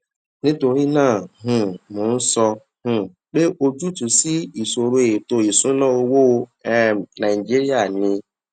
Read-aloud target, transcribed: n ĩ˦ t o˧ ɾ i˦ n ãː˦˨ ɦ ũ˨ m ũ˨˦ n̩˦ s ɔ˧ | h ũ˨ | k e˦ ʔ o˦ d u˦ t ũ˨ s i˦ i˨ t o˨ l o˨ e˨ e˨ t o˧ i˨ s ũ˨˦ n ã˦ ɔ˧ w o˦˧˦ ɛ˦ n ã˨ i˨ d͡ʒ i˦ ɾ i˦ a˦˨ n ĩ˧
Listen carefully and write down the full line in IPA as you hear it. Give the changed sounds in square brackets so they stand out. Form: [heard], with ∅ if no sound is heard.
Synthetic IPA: n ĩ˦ t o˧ ɾ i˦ n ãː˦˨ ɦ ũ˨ m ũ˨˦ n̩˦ s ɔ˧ | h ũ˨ | [k͡p] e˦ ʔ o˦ [d͡ʒ] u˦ t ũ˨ s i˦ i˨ [s] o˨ [ɾ] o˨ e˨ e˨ t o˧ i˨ s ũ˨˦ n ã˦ [o˧] w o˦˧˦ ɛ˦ n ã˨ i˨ d͡ʒ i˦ ɾ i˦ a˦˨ n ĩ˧